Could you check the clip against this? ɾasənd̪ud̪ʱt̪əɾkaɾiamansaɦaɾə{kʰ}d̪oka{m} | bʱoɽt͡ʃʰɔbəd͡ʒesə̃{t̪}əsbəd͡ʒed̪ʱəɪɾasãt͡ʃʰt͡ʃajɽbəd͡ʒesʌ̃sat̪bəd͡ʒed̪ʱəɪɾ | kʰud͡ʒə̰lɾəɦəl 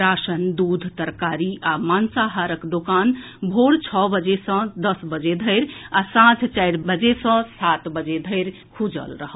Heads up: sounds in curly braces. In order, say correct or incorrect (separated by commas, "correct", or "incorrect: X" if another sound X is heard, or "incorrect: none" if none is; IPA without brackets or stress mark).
incorrect: k, incorrect: n, incorrect: d̪